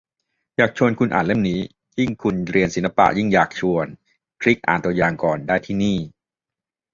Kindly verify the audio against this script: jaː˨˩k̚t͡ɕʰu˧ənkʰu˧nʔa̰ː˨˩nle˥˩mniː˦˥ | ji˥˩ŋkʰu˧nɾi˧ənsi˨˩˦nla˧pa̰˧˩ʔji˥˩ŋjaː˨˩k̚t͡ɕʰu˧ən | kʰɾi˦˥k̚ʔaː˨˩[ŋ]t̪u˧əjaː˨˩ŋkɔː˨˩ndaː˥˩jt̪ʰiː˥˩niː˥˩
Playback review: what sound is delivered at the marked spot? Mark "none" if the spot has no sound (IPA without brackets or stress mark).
n